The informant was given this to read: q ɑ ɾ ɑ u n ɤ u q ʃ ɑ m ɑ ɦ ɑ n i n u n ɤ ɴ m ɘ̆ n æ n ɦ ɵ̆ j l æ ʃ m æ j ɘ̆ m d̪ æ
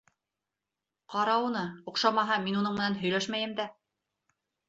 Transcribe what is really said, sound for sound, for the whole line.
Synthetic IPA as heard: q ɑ ɾ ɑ u n ɤ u q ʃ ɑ m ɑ ɦ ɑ m i n u n ɤ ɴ m ɘ̆ n æ n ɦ ɵ̆ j l æ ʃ m æ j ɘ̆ m d̪ æ

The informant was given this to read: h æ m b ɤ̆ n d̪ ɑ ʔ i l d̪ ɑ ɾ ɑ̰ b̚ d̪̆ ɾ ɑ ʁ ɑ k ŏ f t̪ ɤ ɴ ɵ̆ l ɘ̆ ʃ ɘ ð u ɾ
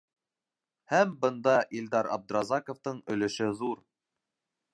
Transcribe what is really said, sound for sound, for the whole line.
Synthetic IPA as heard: h æ m b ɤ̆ n d̪ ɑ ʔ i l d̪ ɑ ɾ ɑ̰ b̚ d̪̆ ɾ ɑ z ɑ k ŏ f t̪ ɤ ɴ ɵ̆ l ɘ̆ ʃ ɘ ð u ɾ

